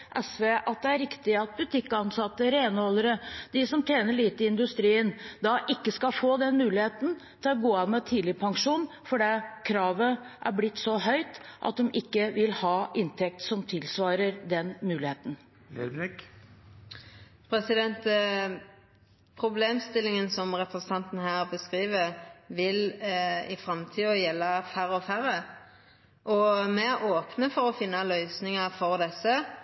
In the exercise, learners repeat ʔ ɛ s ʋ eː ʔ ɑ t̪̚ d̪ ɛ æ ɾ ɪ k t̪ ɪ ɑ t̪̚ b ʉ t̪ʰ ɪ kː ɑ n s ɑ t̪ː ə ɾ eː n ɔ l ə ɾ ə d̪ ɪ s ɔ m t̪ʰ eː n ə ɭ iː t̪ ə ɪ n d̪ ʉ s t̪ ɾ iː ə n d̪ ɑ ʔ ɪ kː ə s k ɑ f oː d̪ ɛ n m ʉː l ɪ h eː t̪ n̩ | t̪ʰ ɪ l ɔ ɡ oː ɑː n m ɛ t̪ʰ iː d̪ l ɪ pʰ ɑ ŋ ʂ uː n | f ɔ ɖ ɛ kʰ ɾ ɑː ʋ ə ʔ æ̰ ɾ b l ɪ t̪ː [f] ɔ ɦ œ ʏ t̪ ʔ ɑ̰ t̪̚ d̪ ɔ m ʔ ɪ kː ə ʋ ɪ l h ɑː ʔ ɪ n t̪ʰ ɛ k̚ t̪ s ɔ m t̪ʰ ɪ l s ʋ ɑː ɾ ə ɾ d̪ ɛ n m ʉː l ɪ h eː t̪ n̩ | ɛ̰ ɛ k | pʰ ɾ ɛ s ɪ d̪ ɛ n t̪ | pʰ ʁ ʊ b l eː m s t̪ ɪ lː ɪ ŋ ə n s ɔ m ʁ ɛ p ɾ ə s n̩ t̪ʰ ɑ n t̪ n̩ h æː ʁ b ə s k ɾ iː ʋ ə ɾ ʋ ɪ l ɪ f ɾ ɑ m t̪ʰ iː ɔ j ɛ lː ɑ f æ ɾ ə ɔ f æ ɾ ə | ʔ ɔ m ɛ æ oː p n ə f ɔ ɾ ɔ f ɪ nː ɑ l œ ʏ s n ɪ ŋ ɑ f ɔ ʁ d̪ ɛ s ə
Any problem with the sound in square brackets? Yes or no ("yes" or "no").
yes